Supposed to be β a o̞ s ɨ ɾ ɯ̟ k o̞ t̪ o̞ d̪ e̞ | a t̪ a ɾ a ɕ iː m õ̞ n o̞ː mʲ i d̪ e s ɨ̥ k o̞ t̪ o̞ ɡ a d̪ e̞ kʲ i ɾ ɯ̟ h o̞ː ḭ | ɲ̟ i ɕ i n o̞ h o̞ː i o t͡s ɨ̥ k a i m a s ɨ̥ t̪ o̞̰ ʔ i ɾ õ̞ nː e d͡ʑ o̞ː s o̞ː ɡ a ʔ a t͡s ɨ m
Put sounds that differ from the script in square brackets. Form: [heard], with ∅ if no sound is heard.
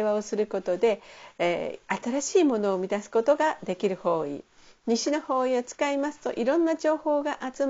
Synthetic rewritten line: β a o̞ s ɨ ɾ ɯ̟ k o̞ t̪ o̞ d̪ e̞ | a t̪ a ɾ a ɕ iː m [o̞] n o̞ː mʲ i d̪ [a] s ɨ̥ k o̞ t̪ o̞ ɡ a d̪ e̞ kʲ i ɾ ɯ̟ h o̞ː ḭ | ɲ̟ i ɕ i n o̞ h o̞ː i o t͡s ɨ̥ k a i m a s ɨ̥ t̪ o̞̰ ʔ i ɾ õ̞ nː [a] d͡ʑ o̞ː [h] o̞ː ɡ a ʔ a t͡s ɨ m